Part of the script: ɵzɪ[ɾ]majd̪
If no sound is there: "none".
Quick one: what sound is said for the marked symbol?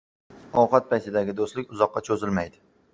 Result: l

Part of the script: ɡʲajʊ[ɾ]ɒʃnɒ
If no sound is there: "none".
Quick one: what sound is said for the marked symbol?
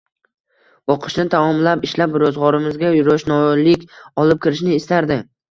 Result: ɾ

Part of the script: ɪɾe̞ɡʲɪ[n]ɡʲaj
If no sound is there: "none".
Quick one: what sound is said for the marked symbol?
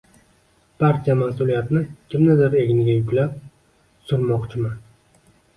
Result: n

